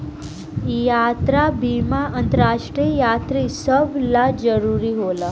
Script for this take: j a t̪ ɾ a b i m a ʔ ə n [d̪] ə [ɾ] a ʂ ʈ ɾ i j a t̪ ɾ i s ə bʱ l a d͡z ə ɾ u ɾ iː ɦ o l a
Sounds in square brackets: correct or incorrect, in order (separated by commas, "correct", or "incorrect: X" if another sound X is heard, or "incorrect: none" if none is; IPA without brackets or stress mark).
incorrect: t̪, correct